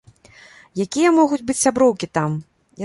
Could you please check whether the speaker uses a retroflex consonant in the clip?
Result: no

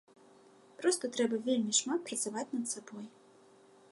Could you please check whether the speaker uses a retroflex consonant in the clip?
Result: yes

